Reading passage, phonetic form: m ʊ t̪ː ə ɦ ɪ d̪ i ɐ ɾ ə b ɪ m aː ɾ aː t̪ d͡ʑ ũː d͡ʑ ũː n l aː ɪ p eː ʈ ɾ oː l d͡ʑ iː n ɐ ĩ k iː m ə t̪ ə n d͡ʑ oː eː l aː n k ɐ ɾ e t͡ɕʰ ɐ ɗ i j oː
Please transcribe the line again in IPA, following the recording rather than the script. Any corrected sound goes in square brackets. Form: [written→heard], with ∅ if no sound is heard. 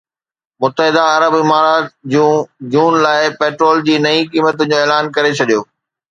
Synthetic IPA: m ʊ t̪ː ə ɦ ɪ d̪ [i→a] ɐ ɾ ə b ɪ m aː ɾ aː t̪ d͡ʑ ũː d͡ʑ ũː n l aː ɪ p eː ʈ ɾ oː l d͡ʑ iː n ɐ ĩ k iː m ə t̪ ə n d͡ʑ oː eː l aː n k ɐ ɾ e t͡ɕʰ ɐ ɗ i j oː